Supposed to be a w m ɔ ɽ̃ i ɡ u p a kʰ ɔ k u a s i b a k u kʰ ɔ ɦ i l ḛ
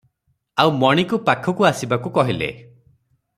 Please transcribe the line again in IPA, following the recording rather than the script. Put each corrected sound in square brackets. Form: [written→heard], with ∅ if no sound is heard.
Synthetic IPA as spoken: a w m ɔ ɽ̃ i [ɡ→k] u p a kʰ ɔ k u a s i b a k u [kʰ→k] ɔ ɦ i l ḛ